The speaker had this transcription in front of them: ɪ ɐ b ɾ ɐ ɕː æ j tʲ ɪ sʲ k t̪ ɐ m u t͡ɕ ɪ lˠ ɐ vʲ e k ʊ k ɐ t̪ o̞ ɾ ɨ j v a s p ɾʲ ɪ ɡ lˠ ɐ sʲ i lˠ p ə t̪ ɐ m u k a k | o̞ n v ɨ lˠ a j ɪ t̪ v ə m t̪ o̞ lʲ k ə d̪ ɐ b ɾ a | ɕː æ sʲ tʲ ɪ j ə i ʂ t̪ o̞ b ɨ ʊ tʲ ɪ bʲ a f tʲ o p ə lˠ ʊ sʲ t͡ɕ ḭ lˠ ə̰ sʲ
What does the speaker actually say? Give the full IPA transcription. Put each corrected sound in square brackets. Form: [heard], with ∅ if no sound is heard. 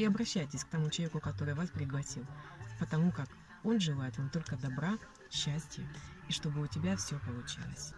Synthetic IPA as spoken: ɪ ɐ b ɾ ɐ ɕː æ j tʲ ɪ sʲ k t̪ ɐ m u t͡ɕ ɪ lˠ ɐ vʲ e k ʊ k ɐ t̪ o̞ ɾ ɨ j v a s p ɾʲ ɪ ɡ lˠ ɐ sʲ i lˠ p ə t̪ ɐ m u k a k | o̞ n [ʐ] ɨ lˠ a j ɪ t̪ v [a] m t̪ o̞ lʲ k ə d̪ ɐ b ɾ a | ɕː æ sʲ tʲ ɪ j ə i ʂ t̪ o̞ b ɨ ʊ tʲ ɪ bʲ a f [sʲ] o p ə lˠ ʊ [∅] t͡ɕ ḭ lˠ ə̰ sʲ

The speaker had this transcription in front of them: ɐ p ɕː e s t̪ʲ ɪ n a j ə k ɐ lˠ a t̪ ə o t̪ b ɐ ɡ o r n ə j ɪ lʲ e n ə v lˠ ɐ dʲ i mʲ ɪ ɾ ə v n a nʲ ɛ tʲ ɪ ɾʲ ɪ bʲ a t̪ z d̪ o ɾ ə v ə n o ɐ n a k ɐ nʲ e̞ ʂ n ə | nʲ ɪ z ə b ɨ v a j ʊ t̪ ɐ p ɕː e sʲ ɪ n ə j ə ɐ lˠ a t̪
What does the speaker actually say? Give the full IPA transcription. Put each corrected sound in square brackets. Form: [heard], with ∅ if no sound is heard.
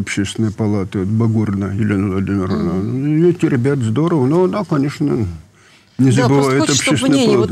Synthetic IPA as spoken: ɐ p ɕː e s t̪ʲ ɪ n [ə] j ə [p] ɐ lˠ a t̪ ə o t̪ b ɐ ɡ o r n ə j ɪ lʲ e n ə v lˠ ɐ dʲ i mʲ ɪ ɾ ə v n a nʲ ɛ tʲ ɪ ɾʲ ɪ bʲ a t̪ z d̪ o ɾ ə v ə n o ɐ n a k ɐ nʲ e̞ ʂ n ə | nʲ ɪ z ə b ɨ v a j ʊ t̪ ɐ p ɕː e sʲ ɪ n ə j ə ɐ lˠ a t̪

